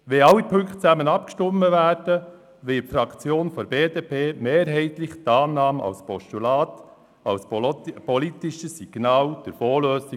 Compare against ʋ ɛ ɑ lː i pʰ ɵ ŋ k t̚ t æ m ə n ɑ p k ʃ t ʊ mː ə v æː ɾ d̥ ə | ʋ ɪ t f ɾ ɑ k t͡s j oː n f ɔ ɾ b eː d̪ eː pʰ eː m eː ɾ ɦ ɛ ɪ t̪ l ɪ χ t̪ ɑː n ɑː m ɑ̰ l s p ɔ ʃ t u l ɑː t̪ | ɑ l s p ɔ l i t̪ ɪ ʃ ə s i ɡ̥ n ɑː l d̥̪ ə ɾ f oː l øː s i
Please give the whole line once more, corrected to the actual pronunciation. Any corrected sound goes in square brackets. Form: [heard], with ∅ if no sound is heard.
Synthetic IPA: ʋ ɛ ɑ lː i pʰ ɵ ŋ k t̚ [t͡s] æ m ə n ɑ p k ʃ t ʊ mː ə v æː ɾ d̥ ə | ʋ ɪ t f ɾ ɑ k t͡s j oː n f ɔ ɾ b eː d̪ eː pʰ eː m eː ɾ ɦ ɛ ɪ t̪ l ɪ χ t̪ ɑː n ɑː m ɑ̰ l s p ɔ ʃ t u l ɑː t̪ | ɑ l s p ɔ l i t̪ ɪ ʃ ə s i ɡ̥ n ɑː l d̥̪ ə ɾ f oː l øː s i